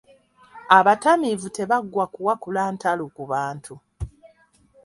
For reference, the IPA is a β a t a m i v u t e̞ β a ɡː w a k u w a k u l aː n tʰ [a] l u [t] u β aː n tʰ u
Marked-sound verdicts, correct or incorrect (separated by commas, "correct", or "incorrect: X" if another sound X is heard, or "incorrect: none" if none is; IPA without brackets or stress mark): correct, incorrect: k